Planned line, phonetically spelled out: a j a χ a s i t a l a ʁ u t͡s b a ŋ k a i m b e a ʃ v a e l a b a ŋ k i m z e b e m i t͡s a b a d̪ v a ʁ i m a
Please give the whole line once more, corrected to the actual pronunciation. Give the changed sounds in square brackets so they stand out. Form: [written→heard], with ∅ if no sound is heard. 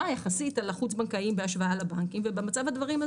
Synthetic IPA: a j a χ a s i t a l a [ʁ→χ] u t͡s b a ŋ k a i m b e a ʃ v a [e→a] l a b a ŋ k i m [z→v] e b e m [i→a] t͡s a [b→v] a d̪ v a ʁ i m a